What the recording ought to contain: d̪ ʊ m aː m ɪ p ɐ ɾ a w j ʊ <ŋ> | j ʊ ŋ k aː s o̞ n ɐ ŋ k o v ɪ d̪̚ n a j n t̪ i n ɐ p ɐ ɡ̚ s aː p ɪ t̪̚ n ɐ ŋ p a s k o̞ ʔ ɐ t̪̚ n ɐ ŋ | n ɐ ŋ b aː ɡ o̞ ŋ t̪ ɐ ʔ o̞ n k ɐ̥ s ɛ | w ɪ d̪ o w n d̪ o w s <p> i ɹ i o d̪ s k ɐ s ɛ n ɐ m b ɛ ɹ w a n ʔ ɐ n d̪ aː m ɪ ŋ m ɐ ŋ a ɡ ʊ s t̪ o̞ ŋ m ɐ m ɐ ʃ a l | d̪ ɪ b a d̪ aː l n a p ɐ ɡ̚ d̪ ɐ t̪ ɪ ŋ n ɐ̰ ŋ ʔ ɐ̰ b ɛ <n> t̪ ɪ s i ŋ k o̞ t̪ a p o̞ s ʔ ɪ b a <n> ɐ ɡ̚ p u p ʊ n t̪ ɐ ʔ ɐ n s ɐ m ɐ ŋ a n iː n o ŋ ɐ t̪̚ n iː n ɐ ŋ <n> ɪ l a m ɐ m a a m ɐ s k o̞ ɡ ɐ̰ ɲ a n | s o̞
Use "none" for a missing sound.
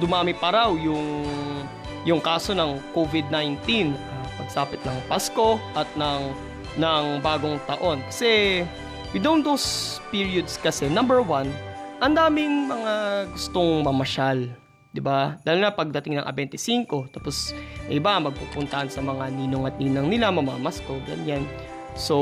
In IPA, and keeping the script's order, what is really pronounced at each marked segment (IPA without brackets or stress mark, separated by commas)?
ŋ, p, n, m, n